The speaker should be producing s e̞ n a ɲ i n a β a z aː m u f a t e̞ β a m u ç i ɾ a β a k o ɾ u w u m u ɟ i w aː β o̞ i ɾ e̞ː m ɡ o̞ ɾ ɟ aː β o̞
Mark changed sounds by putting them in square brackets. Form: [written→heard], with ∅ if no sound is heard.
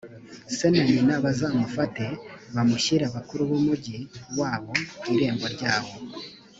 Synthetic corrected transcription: s e̞ n a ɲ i n a β a z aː m u f a t e̞ β a m u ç i ɾ a β a k [o→u] ɾ u [w→β] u m u ɟ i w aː β o̞ i ɾ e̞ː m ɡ o̞ ɾ ɟ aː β o̞